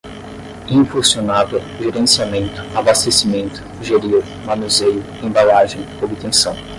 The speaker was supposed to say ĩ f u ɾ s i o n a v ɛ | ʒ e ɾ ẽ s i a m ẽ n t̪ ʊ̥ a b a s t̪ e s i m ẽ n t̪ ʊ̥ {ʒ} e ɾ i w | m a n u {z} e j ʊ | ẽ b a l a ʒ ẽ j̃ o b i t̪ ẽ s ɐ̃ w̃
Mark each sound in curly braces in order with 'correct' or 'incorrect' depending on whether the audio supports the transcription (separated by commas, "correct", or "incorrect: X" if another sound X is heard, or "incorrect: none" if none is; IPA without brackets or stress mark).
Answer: correct, correct